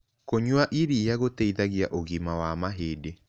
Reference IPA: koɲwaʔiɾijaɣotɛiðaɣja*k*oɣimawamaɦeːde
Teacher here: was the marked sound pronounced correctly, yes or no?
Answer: no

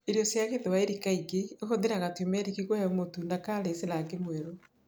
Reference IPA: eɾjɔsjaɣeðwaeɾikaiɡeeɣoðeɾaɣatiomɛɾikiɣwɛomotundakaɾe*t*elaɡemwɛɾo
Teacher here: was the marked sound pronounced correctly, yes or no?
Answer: no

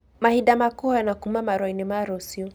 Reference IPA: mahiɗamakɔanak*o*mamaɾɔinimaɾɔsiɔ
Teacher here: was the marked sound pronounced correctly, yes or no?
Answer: no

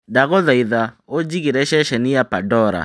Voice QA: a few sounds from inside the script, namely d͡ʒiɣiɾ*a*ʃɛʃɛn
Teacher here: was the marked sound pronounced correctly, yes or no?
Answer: no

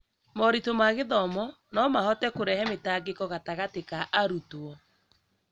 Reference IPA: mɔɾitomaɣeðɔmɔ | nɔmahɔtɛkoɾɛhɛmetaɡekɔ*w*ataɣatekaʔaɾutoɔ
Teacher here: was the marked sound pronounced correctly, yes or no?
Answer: no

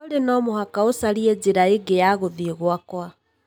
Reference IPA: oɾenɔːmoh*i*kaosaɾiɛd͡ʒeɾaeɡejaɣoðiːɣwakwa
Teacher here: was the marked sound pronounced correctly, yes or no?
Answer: no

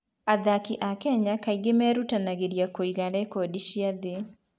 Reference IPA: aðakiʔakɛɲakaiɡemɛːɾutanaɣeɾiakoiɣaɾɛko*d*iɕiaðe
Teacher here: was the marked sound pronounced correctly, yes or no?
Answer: yes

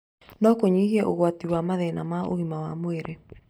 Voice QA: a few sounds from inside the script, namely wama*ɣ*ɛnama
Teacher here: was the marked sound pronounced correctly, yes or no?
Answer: no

